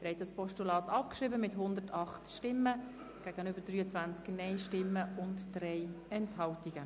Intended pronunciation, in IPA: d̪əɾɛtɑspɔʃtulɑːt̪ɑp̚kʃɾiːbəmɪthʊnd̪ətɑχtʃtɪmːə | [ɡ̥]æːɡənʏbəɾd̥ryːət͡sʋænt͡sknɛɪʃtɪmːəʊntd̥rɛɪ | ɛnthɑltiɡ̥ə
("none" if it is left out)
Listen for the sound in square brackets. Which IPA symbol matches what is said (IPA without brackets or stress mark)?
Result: ɡ̥